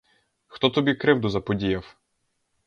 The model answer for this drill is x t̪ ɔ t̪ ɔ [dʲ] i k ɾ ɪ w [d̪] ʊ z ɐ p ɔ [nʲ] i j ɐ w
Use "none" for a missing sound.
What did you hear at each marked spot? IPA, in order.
bʲ, d̪, dʲ

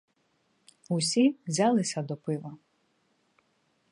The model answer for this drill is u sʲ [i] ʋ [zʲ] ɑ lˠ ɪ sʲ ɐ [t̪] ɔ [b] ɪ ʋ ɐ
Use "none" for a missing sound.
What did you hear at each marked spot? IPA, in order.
i, zʲ, d̪, p

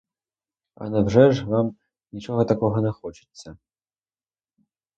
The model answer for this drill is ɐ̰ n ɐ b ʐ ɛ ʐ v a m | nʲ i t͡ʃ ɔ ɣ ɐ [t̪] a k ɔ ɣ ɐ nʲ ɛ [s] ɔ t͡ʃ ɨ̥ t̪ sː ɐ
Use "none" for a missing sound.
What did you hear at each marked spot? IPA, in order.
t̪, x

